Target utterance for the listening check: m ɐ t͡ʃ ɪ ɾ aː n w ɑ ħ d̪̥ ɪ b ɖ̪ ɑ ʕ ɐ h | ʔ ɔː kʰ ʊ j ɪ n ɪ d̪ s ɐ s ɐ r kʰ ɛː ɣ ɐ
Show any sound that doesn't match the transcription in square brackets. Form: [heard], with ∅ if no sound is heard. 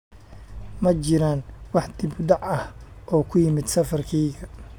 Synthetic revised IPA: m ɐ t͡ʃ ɪ ɾ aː n w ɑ ħ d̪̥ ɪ b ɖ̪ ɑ ʕ ɐ h | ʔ ɔː kʰ ʊ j ɪ [m] ɪ d̪ s ɐ [f] ɐ r kʰ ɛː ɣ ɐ